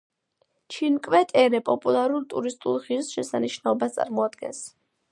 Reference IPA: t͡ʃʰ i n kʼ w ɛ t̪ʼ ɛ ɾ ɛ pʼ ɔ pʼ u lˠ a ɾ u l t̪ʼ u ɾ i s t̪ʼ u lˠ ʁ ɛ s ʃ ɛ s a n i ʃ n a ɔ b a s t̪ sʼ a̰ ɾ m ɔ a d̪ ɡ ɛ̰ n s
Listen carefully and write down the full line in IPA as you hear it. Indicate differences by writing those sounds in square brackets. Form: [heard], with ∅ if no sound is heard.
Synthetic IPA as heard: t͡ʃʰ i n kʼ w ɛ t̪ʼ ɛ ɾ ɛ pʼ ɔ pʼ u lˠ a ɾ u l t̪ʼ u ɾ i s t̪ʼ u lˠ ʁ [i] s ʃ ɛ s a n i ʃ n a ɔ b a s t̪ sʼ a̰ ɾ m ɔ a d̪ ɡ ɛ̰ n s